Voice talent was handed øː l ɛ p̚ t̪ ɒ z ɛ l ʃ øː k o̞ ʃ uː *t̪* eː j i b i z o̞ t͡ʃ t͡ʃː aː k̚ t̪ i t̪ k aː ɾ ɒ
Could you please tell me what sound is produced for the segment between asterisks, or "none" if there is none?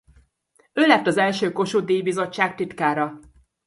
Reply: d̪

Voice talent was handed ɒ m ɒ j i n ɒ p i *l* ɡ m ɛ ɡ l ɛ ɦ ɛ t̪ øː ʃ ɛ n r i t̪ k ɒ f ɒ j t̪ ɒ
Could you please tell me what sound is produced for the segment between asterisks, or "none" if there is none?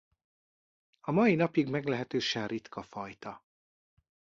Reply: none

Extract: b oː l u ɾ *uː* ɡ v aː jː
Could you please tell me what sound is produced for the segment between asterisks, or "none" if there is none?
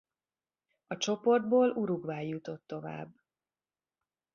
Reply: u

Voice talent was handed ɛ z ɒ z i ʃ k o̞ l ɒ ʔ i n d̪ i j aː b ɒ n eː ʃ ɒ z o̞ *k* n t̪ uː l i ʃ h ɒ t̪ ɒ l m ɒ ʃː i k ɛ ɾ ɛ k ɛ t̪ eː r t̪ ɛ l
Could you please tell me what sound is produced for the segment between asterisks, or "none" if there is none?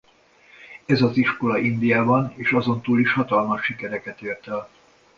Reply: none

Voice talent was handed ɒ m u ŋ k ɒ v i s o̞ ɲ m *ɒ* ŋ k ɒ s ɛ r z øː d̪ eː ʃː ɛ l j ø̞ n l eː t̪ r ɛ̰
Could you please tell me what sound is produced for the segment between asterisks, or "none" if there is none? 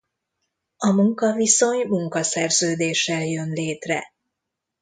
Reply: u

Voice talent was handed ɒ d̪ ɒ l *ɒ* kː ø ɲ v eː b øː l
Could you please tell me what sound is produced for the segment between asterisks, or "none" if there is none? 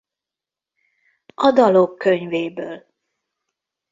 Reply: o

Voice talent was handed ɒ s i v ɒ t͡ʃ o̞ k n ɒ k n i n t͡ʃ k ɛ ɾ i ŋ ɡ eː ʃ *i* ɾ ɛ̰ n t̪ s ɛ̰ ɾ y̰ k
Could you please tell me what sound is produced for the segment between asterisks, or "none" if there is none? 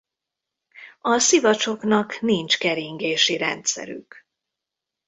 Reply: i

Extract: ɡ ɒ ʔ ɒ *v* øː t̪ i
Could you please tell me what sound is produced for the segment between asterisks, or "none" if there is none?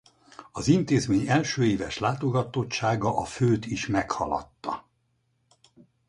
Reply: f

